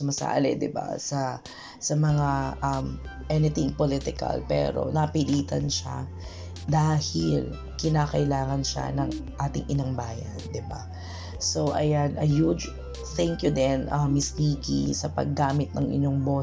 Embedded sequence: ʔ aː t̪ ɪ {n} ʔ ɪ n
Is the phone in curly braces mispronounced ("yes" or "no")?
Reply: yes